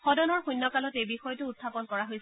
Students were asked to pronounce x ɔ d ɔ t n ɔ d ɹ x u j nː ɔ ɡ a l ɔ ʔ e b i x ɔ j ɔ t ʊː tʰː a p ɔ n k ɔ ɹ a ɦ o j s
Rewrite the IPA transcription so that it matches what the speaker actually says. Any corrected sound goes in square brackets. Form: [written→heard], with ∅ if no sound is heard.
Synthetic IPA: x ɔ d ɔ [t→∅] n ɔ [d→∅] ɹ x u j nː ɔ [ɡ→k] a l ɔ [ʔ→t] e b i x ɔ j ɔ t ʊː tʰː a p ɔ n k ɔ ɹ a ɦ o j s